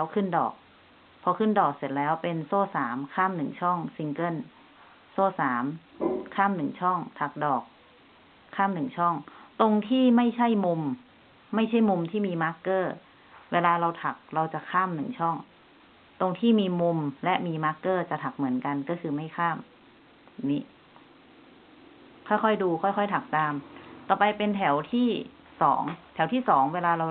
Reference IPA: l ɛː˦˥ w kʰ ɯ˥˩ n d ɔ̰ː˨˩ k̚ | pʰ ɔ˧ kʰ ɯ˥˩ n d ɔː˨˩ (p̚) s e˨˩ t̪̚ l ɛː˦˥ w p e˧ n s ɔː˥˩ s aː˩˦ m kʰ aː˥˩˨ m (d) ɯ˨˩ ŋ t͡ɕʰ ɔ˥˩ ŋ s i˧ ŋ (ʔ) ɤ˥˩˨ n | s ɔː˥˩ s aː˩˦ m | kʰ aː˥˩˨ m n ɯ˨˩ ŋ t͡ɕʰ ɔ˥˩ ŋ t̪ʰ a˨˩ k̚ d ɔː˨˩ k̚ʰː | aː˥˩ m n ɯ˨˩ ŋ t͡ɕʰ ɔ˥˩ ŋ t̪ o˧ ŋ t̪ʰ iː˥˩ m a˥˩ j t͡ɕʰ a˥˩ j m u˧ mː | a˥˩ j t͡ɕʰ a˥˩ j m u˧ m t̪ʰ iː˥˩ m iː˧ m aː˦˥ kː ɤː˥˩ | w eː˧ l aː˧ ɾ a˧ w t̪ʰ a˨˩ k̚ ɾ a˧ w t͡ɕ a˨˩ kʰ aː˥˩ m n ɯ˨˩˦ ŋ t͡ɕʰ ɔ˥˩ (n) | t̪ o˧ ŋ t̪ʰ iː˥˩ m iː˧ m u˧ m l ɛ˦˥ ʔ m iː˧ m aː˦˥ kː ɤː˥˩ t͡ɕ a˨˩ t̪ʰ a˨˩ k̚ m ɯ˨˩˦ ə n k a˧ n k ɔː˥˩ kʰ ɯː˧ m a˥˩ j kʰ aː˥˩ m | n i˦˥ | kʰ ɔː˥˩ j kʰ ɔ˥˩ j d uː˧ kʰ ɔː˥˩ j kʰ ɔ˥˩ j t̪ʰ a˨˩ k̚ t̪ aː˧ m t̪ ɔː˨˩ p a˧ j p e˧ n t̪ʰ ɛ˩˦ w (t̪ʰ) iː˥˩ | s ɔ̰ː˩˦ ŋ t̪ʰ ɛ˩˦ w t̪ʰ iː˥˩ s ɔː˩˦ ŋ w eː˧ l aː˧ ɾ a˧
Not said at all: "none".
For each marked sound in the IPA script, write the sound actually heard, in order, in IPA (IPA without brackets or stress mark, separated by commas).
k̚, n, k, ŋ, t̪ʰ